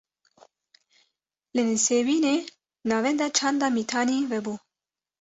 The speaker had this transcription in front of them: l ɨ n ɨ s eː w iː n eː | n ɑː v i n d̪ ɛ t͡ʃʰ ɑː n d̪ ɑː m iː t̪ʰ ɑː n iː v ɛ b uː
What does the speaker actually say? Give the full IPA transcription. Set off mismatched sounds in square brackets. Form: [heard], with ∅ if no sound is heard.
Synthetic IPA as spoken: l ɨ n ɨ s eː w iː n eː | n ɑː v [ɛ] n d̪ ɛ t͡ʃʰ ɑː n d̪ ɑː m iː t̪ʰ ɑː n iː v ɛ b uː